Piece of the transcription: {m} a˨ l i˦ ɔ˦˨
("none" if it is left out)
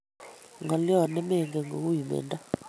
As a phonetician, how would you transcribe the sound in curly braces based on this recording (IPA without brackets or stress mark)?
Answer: ŋ